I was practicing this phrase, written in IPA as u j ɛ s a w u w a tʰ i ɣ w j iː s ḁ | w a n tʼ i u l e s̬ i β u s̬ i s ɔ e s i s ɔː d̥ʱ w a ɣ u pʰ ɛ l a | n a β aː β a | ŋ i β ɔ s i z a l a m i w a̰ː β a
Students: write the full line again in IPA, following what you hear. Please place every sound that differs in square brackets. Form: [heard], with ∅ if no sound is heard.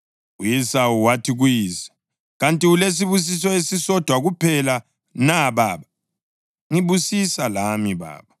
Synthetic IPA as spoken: u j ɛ s a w u w a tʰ i ɣ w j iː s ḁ | [ɣ] a n tʼ i u l e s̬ i β u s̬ i s ɔ e s i s [ɔ] d̥ʱ w a ɣ u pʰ ɛ l a | n a β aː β a | ŋ i β [u] s i [s] a l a m i [β] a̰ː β a